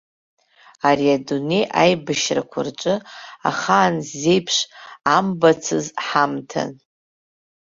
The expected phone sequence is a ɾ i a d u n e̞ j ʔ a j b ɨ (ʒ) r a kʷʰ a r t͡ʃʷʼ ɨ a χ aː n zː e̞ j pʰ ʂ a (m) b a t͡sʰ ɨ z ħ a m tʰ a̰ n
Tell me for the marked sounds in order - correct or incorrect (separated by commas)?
incorrect, correct